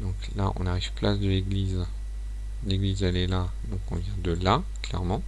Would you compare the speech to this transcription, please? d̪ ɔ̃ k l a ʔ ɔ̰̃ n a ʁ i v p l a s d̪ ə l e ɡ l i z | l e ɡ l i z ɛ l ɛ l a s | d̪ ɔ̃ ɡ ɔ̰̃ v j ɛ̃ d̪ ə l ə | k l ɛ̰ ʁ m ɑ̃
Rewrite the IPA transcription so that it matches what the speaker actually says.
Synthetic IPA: d̪ ɔ̃ k l a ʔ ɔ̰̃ n a ʁ i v p l a s d̪ ə l e ɡ l i z | l e ɡ l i z ɛ l ɛ l a | d̪ ɔ̃ k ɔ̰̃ v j ɛ̃ d̪ ə l a | k l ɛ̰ ʁ m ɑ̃